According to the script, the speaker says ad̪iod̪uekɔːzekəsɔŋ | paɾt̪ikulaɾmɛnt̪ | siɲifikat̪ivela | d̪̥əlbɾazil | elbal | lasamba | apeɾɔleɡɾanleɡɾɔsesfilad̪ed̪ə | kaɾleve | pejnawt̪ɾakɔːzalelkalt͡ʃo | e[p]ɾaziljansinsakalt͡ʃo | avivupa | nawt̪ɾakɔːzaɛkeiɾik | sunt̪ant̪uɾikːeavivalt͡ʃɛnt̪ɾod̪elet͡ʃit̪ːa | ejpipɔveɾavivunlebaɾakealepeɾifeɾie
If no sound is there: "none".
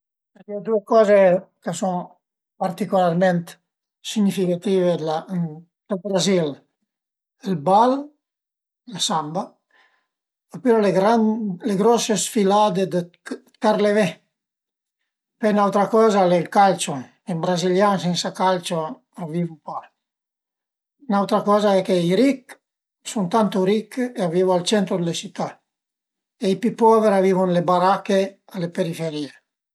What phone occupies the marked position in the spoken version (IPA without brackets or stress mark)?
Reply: b